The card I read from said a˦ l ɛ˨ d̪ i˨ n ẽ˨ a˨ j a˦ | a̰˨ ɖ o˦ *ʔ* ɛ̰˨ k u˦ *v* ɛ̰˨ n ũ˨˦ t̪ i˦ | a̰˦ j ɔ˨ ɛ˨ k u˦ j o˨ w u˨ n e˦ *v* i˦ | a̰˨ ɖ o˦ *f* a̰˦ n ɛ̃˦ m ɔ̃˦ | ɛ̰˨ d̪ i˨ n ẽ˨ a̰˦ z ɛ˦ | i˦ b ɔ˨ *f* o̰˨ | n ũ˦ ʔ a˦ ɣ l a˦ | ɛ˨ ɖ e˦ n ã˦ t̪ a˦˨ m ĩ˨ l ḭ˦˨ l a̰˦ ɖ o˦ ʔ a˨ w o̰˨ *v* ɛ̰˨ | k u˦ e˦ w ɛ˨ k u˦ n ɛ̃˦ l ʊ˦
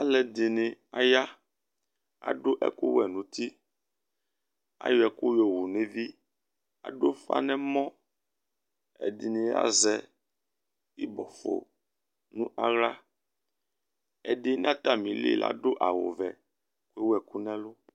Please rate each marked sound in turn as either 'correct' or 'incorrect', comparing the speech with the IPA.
correct, incorrect: w, correct, correct, correct, correct

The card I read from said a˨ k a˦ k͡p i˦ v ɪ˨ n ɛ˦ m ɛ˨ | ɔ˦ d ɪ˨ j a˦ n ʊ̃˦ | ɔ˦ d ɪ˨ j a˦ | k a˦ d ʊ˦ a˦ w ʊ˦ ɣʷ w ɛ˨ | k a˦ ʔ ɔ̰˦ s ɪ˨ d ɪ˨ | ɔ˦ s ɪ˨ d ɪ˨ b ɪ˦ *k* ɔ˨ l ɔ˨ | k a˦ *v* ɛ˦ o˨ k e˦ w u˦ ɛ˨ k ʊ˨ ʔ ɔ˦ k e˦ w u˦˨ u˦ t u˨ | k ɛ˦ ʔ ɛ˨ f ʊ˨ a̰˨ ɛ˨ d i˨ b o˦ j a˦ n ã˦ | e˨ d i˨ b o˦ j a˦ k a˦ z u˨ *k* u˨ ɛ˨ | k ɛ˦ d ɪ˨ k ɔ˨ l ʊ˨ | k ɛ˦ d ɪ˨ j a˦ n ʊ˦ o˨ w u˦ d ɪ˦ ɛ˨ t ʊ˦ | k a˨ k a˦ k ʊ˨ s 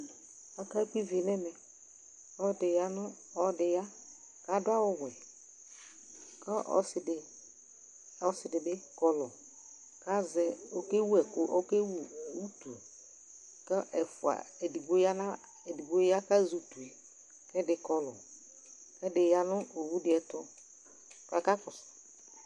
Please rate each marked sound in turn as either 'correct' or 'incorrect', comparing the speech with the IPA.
correct, incorrect: z, incorrect: t

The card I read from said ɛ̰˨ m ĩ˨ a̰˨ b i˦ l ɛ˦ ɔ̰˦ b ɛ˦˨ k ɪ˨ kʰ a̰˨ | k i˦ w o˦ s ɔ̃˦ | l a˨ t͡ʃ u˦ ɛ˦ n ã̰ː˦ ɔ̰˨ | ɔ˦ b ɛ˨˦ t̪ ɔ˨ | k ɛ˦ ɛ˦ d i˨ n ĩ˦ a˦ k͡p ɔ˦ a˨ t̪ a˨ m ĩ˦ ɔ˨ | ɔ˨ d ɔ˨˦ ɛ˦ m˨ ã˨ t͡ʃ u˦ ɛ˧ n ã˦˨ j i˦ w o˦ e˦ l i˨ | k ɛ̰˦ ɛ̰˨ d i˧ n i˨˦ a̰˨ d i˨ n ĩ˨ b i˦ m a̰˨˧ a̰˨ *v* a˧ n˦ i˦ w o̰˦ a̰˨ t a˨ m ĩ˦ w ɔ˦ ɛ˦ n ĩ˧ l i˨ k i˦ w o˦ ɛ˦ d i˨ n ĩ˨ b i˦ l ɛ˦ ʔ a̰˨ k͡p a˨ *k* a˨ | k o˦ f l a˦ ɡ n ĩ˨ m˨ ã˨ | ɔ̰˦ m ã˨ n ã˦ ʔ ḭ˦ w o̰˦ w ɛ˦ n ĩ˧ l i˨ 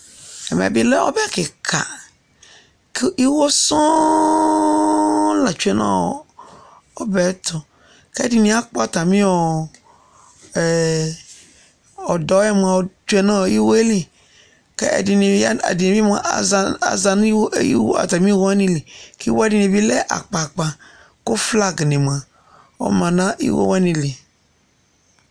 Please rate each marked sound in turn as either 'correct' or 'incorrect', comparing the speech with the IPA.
incorrect: z, incorrect: k͡p

